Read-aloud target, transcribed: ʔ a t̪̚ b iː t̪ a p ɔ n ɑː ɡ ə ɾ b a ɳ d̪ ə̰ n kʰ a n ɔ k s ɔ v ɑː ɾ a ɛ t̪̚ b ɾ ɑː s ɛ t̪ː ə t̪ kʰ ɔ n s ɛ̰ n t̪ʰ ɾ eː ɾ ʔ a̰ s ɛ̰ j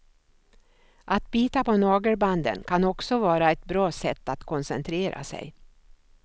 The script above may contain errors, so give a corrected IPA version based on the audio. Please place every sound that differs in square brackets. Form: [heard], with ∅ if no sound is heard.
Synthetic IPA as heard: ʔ a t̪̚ b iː t̪ a p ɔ n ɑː ɡ ə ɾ b a [n] d̪ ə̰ n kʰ a n ɔ k s ɔ v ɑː ɾ a ɛ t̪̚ b ɾ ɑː s ɛ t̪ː [a] t̪ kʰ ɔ n s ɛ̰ n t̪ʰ ɾ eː ɾ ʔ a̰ s ɛ̰ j